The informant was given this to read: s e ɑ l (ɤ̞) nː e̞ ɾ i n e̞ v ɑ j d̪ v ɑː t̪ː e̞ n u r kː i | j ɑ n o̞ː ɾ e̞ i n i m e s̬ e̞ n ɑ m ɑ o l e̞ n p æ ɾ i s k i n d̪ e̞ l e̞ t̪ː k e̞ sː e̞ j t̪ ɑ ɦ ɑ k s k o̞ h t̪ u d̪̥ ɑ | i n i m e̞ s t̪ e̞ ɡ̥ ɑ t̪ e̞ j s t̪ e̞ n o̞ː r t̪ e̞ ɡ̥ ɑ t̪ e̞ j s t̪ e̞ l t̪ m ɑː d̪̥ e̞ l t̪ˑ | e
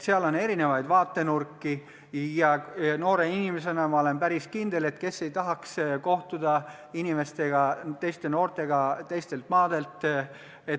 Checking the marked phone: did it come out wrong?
yes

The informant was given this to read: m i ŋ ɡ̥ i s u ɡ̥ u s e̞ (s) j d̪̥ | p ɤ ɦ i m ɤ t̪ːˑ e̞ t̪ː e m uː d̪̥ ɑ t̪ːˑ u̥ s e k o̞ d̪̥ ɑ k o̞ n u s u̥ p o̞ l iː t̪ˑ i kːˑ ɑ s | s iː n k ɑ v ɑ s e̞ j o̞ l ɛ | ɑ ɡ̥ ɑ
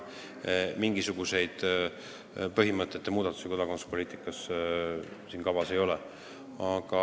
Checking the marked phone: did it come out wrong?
yes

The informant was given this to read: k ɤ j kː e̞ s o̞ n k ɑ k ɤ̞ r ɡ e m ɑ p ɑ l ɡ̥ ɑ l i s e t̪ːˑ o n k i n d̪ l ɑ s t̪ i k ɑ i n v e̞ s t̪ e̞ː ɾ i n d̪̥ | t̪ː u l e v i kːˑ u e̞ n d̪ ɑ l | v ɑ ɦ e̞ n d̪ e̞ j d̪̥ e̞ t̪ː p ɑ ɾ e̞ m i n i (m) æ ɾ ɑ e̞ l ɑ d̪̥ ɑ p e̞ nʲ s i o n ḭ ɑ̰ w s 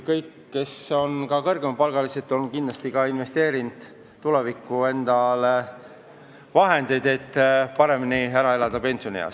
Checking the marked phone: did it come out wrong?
yes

